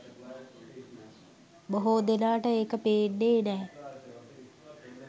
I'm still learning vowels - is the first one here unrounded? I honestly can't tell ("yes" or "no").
no